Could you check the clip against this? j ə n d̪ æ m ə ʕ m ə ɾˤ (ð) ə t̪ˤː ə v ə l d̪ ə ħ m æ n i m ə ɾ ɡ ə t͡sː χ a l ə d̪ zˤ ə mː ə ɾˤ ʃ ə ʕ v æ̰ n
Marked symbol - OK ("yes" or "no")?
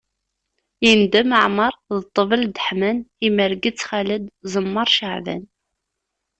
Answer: yes